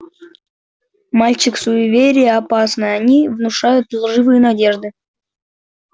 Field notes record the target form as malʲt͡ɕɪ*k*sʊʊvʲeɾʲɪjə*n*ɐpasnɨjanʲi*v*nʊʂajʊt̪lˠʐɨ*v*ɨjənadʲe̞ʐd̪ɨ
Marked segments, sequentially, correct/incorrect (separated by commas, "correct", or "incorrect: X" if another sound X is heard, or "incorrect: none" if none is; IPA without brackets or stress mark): correct, incorrect: none, correct, correct